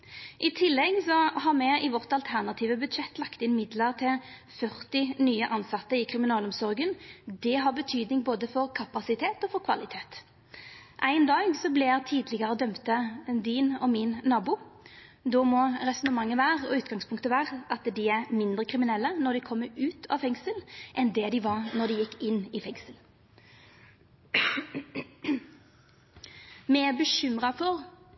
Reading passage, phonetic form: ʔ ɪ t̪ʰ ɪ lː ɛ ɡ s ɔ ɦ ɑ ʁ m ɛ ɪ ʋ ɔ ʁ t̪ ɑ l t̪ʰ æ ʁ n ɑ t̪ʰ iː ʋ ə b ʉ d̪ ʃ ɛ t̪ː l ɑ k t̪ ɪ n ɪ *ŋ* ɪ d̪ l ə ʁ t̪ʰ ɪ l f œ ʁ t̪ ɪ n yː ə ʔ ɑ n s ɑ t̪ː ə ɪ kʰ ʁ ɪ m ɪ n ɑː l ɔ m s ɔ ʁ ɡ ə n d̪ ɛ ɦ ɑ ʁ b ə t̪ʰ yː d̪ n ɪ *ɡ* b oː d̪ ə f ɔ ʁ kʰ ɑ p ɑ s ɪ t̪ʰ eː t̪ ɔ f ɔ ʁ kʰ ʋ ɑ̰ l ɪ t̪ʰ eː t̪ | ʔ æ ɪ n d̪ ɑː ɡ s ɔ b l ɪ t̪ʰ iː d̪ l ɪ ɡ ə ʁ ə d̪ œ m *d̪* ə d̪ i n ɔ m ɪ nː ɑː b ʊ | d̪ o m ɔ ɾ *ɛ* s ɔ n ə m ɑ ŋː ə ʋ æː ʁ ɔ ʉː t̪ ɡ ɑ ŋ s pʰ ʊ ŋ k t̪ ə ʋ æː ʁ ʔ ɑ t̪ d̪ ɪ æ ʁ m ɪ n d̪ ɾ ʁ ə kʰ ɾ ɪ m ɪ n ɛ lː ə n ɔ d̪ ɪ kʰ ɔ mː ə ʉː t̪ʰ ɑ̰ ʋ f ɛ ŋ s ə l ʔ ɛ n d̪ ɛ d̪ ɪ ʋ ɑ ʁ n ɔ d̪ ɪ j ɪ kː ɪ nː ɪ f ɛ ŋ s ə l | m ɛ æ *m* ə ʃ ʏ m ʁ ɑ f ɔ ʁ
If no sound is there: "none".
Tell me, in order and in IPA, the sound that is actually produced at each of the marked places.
m, ŋ, t̪, ɛ, b

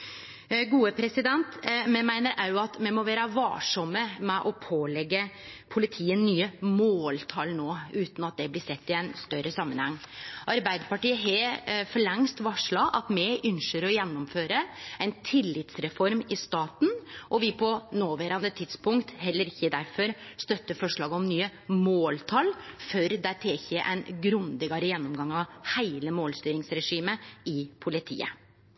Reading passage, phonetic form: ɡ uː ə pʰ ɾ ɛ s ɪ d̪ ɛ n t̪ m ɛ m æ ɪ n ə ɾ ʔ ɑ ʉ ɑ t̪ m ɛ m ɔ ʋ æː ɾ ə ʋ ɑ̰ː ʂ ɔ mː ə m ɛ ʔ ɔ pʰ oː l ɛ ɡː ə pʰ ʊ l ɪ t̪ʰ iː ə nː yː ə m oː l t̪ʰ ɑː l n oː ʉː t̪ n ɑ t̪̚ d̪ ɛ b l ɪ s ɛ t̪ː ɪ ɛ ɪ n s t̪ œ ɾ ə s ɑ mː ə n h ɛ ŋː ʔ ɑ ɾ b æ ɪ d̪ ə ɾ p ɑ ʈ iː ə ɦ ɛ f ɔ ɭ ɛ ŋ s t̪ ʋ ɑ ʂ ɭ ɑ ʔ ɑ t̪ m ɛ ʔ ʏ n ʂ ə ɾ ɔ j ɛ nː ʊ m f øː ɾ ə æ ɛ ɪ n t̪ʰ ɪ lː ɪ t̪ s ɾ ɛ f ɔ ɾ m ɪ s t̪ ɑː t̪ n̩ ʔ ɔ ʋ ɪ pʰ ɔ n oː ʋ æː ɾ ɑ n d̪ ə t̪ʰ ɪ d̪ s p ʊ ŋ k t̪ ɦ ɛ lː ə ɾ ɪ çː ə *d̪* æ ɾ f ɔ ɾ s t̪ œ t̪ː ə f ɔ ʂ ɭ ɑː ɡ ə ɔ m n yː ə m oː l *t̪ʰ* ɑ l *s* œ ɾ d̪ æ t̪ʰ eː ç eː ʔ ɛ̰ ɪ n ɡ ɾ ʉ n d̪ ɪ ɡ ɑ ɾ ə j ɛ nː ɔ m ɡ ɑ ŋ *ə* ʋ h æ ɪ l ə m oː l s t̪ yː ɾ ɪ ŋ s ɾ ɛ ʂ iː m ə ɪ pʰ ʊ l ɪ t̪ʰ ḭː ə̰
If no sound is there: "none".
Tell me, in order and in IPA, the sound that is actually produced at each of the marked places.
d̪, t̪ʰ, f, ɑ

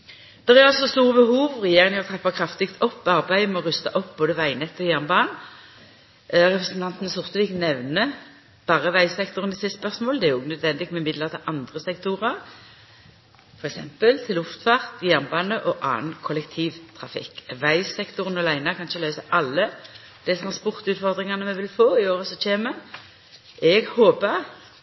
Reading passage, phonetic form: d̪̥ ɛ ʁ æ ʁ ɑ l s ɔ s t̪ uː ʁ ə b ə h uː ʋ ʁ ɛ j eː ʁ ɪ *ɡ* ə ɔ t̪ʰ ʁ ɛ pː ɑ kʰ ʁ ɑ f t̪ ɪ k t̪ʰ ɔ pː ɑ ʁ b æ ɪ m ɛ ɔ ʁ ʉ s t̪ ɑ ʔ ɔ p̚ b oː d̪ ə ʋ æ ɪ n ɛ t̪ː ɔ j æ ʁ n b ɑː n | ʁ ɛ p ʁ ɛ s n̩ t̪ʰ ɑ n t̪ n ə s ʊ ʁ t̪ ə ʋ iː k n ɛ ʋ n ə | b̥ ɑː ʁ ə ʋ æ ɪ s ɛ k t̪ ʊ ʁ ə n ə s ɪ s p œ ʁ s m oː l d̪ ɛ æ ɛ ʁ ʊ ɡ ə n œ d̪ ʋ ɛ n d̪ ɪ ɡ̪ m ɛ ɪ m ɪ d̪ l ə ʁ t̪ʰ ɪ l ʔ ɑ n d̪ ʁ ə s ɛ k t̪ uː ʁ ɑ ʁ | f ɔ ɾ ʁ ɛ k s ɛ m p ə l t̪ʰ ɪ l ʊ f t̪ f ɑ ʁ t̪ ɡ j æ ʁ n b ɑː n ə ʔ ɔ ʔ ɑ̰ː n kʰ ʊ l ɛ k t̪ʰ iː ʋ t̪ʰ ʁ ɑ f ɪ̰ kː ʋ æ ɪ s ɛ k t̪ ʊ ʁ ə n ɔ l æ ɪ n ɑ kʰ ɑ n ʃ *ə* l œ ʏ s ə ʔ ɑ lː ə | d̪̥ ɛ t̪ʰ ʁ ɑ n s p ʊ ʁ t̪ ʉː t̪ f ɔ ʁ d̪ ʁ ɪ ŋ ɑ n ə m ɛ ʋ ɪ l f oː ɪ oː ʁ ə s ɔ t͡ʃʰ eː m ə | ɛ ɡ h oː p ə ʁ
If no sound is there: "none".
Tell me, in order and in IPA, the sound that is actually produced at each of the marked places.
ŋ, ə

